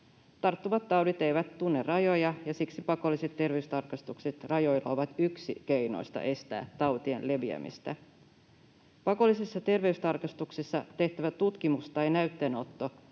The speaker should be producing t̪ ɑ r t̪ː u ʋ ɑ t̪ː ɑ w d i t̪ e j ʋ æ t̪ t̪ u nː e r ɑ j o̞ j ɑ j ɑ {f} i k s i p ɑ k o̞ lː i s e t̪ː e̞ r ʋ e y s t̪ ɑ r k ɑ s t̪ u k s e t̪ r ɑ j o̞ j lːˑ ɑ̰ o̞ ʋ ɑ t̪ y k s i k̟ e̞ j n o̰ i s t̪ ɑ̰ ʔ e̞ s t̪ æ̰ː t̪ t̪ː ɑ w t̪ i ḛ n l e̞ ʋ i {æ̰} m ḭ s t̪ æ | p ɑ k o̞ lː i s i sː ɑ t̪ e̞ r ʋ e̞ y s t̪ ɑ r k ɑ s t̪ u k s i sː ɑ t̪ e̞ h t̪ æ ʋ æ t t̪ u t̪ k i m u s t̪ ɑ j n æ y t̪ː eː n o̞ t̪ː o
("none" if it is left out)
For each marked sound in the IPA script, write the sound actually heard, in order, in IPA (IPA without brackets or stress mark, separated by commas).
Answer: s, æ̰